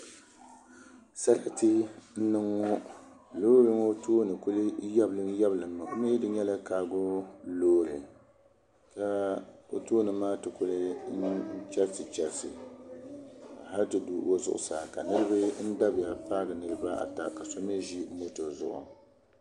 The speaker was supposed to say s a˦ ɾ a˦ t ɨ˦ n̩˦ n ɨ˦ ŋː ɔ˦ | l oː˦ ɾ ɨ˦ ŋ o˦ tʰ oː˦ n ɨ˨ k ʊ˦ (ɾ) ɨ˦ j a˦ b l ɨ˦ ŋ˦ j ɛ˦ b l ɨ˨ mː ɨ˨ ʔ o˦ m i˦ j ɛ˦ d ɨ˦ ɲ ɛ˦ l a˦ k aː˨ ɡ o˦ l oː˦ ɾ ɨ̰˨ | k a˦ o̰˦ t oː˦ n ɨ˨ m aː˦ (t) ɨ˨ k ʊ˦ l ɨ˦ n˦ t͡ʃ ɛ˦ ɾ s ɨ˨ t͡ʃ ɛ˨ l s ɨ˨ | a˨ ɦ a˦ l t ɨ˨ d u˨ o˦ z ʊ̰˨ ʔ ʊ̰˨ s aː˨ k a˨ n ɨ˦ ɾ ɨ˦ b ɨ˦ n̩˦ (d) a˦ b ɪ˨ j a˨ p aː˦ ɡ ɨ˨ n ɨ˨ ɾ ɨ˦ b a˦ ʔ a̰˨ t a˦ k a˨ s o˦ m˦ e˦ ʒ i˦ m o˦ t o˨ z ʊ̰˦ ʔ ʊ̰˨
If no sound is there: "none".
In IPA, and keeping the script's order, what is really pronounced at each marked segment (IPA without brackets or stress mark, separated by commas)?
l, t, d